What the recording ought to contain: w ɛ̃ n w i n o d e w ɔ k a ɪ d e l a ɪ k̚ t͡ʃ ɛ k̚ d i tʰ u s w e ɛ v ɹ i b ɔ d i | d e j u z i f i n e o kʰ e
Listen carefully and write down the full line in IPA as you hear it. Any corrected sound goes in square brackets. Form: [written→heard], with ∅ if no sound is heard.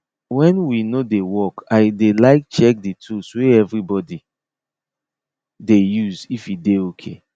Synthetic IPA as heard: w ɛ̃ n w i n o d e w ɔ k a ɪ d e l a ɪ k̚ t͡ʃ ɛ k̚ d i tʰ u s w e ɛ v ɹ i b ɔ d i | d e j u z i f i [n→d] e o kʰ e